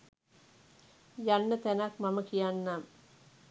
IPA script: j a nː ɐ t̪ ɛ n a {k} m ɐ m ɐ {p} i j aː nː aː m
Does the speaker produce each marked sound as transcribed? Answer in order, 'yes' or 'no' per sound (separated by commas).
yes, no